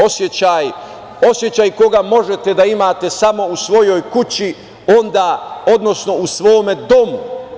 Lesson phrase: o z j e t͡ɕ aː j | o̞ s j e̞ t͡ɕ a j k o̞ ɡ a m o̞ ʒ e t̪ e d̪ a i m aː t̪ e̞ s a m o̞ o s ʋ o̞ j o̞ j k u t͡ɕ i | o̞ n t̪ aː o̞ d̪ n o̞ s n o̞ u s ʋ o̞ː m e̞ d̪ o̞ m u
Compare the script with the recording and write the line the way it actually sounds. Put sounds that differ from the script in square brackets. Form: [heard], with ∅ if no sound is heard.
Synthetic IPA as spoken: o [s] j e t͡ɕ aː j | o̞ s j e̞ t͡ɕ a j k o̞ ɡ a m o̞ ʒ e t̪ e d̪ a i m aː t̪ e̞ s a m o̞ [u] s ʋ o̞ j o̞ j k u t͡ɕ i | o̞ n [d̪] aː o̞ d̪ n o̞ s n o̞ u s ʋ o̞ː m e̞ d̪ o̞ m u